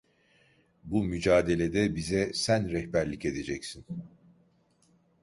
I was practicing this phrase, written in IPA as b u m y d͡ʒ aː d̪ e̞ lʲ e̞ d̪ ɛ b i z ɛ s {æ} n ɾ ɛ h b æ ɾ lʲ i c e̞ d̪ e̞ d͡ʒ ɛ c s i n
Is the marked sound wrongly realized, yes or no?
no